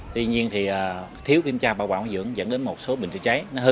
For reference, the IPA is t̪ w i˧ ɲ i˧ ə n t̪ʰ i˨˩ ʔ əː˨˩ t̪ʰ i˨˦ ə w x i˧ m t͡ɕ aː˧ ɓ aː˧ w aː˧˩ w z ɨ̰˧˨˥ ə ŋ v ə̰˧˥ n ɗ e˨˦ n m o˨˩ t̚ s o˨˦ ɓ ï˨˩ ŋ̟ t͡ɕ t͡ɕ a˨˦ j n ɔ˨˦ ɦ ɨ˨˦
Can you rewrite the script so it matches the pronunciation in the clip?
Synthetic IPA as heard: t̪ w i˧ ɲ i˧ ə n t̪ʰ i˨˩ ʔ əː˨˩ t̪ʰ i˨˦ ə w k i˧ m t͡ɕ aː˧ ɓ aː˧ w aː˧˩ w z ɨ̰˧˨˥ ə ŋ z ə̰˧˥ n ɗ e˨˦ n m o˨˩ t̚ s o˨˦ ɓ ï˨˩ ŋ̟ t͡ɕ t͡ɕ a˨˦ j n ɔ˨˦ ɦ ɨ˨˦